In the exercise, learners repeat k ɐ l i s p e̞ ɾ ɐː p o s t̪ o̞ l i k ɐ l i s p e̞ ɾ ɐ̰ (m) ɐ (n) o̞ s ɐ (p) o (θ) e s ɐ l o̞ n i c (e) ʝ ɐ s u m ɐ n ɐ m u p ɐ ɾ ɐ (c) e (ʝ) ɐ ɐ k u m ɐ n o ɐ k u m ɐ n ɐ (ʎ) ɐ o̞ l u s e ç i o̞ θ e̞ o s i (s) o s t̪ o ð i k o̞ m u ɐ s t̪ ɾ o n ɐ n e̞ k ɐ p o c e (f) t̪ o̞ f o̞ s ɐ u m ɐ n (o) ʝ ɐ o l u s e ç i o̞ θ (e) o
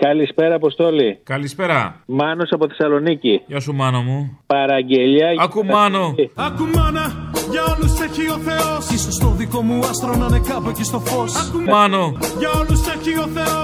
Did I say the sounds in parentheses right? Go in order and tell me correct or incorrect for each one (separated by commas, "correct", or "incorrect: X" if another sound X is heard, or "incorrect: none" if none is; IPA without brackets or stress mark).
correct, correct, correct, correct, incorrect: i, incorrect: ɟ, incorrect: ʎ, incorrect: ʝ, correct, incorrect: s, correct, correct